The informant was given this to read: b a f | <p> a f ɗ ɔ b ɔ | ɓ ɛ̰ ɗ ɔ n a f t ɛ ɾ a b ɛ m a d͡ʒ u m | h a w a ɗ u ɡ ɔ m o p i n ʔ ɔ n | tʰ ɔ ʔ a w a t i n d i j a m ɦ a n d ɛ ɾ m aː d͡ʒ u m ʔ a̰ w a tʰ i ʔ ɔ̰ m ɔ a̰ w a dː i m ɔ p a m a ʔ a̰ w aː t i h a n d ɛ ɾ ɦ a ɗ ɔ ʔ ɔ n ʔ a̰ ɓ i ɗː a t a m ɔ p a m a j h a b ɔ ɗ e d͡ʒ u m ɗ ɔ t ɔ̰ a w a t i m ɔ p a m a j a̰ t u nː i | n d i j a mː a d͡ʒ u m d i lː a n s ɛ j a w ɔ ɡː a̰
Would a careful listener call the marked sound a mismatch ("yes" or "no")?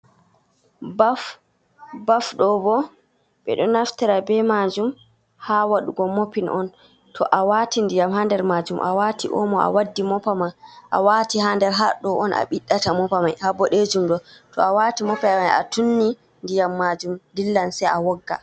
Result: yes